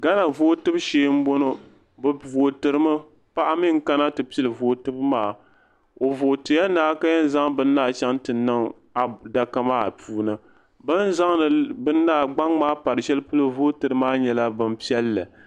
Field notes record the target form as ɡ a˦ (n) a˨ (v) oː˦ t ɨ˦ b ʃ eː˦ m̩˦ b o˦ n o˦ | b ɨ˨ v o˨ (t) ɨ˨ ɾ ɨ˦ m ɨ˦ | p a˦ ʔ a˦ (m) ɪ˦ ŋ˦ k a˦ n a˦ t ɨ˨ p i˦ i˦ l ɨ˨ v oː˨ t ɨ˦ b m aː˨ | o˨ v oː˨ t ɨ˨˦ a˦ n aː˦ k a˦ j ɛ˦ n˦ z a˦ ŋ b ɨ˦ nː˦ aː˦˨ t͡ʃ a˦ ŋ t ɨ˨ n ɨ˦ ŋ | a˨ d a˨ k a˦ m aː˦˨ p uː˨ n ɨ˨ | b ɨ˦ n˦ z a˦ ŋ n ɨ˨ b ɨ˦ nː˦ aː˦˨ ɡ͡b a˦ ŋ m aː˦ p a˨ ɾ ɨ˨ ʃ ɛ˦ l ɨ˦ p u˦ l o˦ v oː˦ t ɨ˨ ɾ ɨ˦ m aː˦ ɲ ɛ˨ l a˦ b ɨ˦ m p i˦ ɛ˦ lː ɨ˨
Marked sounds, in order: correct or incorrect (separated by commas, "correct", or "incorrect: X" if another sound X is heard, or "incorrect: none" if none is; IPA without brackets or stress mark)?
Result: correct, correct, correct, correct